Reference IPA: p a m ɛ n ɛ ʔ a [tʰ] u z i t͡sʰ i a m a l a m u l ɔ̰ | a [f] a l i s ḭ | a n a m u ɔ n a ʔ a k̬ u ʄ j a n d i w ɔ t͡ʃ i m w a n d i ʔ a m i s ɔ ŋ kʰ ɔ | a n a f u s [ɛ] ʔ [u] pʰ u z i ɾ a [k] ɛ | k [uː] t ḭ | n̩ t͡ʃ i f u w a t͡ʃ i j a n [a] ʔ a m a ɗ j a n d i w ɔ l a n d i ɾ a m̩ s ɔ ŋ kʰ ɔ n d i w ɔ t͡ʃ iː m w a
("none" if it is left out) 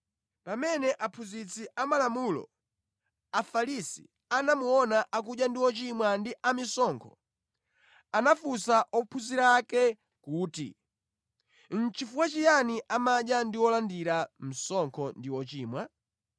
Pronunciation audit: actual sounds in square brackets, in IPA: pʰ, f, a, ɔ, k, uː, i

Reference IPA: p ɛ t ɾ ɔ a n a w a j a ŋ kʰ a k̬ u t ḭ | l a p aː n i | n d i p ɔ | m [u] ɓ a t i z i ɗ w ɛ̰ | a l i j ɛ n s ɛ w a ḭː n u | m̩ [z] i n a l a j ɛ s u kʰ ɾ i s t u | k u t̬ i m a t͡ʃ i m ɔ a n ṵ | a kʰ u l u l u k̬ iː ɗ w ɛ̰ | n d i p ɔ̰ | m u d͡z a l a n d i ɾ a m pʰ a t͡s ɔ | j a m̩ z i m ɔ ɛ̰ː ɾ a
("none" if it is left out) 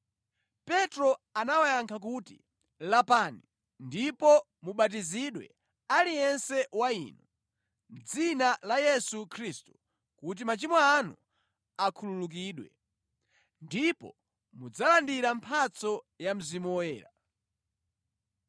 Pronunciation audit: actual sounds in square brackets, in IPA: u, d͡z

